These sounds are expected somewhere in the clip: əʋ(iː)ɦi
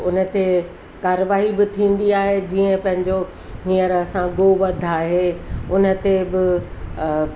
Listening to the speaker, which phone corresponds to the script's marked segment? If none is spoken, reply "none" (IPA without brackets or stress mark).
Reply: aː